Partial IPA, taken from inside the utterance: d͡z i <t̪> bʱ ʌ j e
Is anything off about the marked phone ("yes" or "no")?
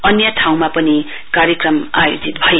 no